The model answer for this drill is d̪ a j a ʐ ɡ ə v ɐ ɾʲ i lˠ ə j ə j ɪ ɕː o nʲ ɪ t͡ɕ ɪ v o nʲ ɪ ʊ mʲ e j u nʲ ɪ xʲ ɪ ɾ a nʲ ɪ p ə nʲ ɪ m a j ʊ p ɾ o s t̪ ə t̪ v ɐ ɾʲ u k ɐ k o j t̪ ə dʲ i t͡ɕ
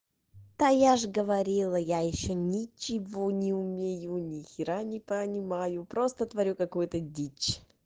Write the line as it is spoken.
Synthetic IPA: t̪ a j a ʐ ɡ ə v ɐ ɾʲ i lˠ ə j a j ɪ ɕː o nʲ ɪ t͡ɕ ɪ v o nʲ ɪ ʊ mʲ e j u nʲ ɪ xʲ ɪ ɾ a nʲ ɪ p ə nʲ ɪ m a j ʊ p ɾ o s t̪ ə t̪ v ɐ ɾʲ u k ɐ k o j t̪ ə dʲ i t͡ɕ